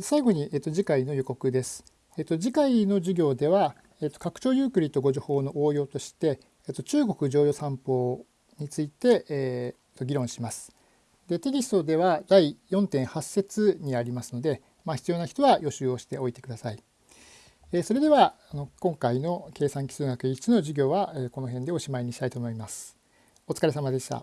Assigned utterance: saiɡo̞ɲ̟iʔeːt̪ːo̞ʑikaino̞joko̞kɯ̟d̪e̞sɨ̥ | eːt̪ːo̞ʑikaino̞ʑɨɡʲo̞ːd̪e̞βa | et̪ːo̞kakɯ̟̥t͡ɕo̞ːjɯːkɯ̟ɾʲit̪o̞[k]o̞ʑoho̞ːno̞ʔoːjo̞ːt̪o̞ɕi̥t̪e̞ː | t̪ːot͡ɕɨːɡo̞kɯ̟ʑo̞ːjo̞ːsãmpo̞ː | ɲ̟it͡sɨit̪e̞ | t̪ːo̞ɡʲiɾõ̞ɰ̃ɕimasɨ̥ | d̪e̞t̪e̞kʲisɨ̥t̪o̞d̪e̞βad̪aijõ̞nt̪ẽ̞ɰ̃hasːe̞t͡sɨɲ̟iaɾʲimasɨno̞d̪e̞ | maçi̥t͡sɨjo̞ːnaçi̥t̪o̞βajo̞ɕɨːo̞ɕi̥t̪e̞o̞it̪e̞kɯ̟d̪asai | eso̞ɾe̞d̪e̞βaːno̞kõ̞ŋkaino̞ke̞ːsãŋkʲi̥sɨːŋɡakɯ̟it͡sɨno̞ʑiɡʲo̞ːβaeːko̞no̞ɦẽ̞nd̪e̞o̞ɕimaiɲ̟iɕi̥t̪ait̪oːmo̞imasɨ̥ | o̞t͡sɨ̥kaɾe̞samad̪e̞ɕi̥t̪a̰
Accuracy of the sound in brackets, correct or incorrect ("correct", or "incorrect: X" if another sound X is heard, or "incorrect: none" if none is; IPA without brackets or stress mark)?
incorrect: ɡ